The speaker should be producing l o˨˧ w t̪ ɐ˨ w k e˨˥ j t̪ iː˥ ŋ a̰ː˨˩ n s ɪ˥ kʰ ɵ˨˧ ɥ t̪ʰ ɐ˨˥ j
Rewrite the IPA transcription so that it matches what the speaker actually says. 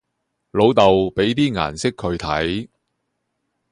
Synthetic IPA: l o˨˧ w t̪ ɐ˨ w p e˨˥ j t̪ iː˥ ŋ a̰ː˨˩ n s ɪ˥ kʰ ɵ˨˧ ɥ t̪ʰ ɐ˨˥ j